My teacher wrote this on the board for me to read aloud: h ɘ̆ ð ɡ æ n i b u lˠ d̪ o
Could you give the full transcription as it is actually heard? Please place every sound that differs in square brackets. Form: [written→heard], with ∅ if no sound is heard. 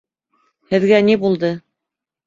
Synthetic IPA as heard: h ɘ̆ ð ɡ æ n i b u lˠ d̪ [o→ɤ]